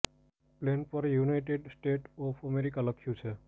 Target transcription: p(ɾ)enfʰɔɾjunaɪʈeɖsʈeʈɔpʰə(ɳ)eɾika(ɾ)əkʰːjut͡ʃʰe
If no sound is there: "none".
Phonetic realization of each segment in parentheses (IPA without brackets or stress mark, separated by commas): l, m, l